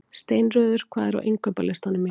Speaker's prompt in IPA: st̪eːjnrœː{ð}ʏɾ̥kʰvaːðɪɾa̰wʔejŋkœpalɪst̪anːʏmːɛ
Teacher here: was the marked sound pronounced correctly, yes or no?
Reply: yes